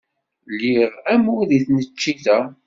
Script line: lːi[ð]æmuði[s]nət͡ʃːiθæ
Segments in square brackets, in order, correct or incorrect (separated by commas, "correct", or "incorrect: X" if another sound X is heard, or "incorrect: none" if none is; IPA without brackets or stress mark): incorrect: ʁ, incorrect: θ